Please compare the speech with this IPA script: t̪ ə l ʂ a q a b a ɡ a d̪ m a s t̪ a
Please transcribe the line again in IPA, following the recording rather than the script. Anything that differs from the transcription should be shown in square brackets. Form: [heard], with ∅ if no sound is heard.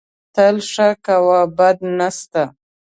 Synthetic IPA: t̪ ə l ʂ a [k] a [w] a [b] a d̪ [n] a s t̪ a